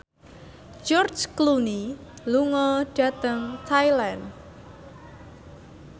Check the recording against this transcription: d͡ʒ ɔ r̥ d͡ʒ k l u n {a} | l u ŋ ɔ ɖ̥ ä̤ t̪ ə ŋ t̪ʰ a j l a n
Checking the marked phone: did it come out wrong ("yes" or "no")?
yes